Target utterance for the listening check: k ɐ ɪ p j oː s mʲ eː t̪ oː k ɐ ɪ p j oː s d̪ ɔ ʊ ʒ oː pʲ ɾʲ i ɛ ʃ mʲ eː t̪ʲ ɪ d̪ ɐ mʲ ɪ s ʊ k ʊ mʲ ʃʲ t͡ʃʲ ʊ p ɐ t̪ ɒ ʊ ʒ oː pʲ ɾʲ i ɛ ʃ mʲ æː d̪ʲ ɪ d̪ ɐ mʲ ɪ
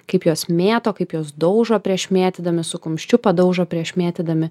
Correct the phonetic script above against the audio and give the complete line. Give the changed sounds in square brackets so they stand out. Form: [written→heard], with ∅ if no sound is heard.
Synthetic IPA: k ɐ ɪ p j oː s mʲ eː t̪ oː k ɐ ɪ p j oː s d̪ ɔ ʊ ʒ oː pʲ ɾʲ i ɛ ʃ mʲ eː t̪ʲ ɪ d̪ ɐ mʲ ɪ s ʊ k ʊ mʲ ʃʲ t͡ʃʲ ʊ p ɐ [t̪→d̪] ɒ ʊ ʒ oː pʲ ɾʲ i ɛ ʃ mʲ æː [d̪ʲ→t̪ʲ] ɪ d̪ ɐ mʲ ɪ